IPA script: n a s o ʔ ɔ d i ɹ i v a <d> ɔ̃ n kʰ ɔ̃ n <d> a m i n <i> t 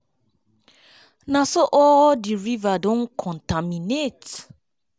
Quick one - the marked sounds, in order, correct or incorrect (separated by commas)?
correct, incorrect, incorrect